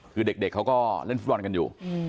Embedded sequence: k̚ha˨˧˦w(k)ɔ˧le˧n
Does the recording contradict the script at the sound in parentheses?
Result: no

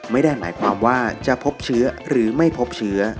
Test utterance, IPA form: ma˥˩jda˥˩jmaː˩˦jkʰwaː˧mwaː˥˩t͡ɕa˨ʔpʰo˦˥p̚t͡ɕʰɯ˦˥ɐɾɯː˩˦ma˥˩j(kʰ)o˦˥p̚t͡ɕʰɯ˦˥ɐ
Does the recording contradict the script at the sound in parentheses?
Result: yes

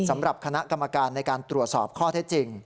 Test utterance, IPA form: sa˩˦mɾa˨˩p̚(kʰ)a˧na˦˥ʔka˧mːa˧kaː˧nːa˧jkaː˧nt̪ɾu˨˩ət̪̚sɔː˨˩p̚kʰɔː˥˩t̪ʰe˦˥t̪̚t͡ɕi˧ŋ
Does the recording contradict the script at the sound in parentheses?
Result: no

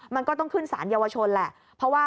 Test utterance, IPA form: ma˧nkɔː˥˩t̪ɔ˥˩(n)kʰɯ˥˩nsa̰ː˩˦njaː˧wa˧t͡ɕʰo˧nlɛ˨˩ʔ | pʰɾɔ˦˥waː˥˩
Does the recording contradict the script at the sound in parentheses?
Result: yes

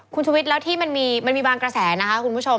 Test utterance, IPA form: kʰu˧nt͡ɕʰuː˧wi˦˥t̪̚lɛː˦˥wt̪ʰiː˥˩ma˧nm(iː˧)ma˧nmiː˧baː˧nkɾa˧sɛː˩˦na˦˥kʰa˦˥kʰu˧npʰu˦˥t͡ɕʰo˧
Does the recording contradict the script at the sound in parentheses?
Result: no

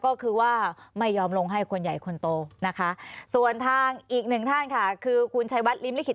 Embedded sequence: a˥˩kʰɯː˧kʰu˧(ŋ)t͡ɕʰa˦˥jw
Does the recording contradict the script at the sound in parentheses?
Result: yes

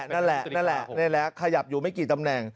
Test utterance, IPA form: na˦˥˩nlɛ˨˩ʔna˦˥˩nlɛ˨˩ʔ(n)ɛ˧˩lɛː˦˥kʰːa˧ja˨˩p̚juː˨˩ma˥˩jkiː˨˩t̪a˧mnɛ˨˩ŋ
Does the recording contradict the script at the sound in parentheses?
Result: no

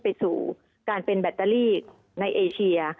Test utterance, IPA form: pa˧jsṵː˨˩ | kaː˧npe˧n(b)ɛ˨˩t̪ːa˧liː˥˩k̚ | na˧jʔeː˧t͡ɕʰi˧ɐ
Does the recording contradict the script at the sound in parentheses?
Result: no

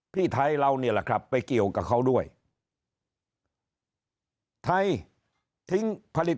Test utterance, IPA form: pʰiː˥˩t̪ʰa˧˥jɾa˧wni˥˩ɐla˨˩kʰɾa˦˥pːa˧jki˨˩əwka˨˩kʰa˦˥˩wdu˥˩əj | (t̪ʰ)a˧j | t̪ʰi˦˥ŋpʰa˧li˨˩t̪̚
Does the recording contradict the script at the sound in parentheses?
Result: no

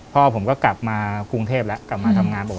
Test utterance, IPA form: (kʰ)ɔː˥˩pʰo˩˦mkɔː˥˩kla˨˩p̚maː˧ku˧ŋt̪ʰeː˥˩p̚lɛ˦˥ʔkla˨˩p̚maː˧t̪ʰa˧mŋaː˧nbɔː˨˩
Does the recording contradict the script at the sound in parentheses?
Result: yes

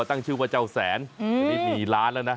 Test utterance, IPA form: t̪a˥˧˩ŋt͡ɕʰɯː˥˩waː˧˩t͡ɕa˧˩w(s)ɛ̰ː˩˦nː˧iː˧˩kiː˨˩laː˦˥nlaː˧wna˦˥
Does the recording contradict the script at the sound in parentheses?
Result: no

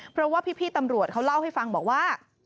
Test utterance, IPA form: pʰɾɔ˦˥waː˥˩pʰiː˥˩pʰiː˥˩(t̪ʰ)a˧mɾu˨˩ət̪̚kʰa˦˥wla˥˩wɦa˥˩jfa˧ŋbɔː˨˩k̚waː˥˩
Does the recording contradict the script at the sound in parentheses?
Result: yes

